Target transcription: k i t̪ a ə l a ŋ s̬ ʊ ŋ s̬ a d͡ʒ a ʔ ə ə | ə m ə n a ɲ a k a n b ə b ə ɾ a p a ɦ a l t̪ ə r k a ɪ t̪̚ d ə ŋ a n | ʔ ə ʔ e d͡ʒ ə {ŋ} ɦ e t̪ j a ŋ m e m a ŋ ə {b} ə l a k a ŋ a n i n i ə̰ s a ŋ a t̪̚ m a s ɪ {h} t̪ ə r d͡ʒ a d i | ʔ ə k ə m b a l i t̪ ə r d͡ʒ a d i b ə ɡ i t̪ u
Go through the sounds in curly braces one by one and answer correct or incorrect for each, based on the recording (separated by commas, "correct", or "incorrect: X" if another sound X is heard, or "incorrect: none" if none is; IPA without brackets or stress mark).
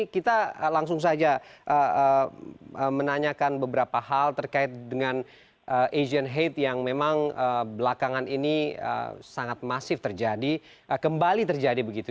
incorrect: n, correct, incorrect: f